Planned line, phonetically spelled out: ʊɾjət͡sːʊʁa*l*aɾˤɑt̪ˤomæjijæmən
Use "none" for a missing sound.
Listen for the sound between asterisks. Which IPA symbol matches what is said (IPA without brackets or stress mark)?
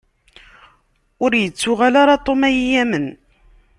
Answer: l